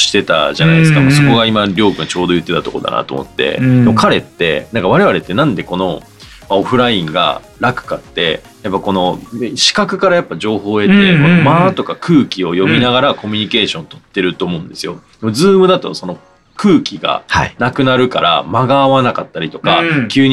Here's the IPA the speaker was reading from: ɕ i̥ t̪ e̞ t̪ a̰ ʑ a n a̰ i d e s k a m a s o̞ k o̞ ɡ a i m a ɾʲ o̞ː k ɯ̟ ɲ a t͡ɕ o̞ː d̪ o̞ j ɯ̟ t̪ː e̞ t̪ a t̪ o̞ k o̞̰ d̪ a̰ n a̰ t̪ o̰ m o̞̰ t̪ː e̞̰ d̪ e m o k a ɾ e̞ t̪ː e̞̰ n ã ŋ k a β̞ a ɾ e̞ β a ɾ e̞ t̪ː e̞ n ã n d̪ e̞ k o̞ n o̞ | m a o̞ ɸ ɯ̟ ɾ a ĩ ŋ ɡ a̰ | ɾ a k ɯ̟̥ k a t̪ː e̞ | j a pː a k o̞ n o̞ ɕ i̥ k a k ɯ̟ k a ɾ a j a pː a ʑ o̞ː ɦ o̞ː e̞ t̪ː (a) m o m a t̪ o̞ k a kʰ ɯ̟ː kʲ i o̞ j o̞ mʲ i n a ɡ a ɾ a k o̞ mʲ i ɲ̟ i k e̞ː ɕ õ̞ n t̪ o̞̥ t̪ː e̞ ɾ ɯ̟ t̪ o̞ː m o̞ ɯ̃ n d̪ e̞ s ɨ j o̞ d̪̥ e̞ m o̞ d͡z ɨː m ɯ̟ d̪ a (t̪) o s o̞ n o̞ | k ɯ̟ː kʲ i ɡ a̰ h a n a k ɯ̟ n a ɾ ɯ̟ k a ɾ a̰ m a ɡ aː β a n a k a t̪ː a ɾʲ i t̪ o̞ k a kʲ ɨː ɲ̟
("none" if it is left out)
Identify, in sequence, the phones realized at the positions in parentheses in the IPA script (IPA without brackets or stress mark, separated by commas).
e, t̪